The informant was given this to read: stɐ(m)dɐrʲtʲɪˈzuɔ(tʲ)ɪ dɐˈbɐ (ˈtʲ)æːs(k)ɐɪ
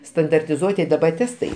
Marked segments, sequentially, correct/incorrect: incorrect, correct, correct, incorrect

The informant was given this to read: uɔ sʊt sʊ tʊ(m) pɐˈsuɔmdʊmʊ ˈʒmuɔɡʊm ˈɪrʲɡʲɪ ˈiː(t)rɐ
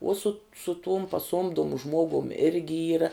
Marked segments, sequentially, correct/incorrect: correct, incorrect

